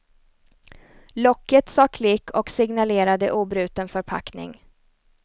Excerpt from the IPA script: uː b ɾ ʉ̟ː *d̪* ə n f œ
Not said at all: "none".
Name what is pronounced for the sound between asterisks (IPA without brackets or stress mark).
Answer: t̪